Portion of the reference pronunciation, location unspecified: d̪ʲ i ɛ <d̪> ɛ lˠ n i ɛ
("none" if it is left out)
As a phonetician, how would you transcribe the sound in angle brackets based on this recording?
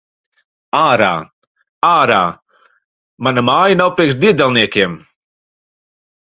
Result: d̪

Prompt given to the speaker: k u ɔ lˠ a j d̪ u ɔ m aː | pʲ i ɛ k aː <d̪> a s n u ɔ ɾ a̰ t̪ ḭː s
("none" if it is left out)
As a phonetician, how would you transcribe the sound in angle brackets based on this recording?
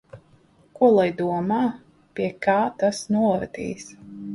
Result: t̪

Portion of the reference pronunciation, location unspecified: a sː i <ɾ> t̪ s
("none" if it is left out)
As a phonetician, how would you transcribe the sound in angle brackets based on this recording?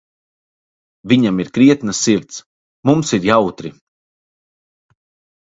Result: ɾ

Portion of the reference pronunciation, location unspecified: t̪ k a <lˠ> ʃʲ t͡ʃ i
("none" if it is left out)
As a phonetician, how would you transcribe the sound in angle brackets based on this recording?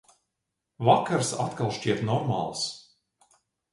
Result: lˠ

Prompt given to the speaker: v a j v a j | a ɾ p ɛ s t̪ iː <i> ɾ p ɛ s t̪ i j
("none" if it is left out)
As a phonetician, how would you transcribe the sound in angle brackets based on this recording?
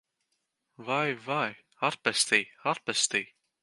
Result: a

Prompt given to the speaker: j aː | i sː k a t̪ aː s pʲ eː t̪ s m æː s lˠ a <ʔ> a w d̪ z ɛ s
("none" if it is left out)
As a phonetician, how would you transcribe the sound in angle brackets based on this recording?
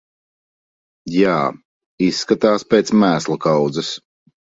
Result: k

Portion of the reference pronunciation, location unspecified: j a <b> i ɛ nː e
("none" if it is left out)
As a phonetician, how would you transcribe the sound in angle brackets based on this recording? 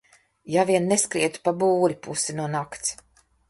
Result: v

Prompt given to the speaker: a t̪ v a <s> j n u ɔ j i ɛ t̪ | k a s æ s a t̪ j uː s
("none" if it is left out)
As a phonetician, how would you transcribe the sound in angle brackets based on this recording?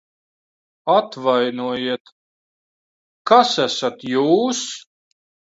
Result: none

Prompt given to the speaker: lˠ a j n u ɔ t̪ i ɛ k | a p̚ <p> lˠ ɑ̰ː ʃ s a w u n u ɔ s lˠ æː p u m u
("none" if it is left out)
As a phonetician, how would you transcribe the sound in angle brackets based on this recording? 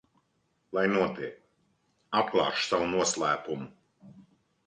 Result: k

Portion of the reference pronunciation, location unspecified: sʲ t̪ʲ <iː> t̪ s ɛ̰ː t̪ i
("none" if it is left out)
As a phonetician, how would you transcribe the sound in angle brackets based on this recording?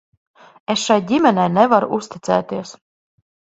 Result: i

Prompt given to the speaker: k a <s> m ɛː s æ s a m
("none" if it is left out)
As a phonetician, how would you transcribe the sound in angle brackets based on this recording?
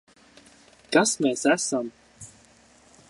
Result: s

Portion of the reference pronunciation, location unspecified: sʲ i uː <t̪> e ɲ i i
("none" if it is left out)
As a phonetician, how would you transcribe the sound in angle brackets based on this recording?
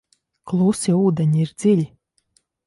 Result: d̪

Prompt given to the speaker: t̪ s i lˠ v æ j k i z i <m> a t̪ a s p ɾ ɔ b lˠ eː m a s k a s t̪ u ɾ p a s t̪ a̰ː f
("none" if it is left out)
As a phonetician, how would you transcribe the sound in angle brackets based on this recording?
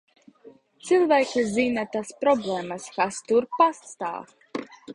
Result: n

